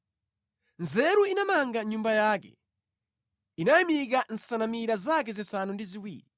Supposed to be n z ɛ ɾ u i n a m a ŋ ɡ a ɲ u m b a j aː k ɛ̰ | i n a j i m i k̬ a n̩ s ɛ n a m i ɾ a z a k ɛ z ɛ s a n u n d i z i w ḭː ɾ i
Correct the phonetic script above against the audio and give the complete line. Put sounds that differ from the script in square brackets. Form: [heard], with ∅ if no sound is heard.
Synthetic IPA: n z ɛ ɾ u i n a m a ŋ ɡ a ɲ u m b a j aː k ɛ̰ | i n a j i m i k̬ a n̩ s [a] n a m i ɾ a z a k ɛ z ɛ s a n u n d i z i w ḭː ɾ i